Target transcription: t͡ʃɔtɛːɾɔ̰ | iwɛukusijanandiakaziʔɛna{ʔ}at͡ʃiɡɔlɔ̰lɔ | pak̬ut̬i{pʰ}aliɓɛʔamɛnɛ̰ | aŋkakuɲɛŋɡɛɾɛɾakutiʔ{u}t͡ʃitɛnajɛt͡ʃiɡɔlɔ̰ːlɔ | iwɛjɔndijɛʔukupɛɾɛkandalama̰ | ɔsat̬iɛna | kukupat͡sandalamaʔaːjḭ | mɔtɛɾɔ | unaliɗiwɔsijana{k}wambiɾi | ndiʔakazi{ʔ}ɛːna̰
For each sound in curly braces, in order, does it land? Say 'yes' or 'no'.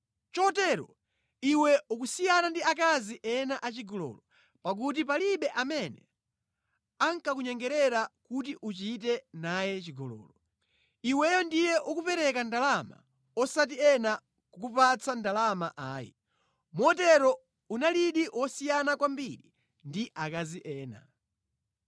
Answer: yes, no, yes, yes, yes

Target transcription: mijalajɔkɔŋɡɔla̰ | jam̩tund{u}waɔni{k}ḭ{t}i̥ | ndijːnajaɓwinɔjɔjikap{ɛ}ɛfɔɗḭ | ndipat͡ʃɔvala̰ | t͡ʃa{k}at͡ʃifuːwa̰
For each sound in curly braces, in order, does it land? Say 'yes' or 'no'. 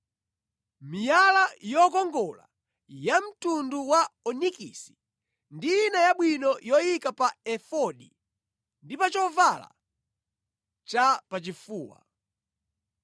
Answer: yes, yes, no, no, no

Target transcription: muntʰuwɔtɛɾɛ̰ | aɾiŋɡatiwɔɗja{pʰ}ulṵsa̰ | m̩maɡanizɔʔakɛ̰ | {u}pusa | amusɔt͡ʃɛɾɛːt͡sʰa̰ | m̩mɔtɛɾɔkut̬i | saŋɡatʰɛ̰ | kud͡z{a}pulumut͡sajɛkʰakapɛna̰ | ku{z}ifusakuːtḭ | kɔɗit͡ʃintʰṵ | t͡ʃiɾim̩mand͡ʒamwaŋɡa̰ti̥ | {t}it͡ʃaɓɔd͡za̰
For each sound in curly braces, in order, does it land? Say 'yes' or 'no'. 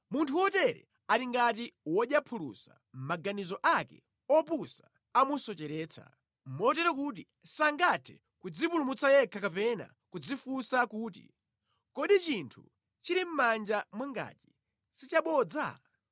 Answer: yes, no, no, no, no

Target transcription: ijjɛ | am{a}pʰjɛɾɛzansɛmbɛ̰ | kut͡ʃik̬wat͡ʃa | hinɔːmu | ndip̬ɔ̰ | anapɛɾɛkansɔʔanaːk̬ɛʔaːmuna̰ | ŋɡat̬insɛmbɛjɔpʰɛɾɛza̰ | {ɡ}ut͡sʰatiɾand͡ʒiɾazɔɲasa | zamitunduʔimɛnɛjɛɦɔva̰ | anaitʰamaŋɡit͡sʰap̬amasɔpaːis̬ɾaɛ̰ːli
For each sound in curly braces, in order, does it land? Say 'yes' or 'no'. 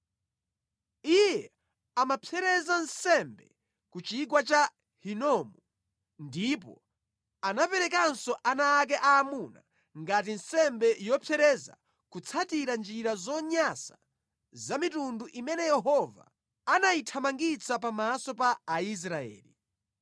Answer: yes, no

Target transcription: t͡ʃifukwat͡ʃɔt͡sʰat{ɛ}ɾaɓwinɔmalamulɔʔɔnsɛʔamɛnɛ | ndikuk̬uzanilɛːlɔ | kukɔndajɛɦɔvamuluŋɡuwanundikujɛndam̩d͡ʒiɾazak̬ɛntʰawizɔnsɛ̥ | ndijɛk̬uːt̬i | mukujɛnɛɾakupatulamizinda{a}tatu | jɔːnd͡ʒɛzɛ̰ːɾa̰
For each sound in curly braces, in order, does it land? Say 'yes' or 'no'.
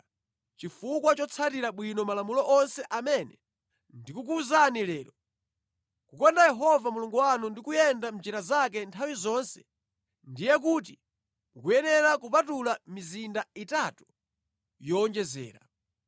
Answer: no, no

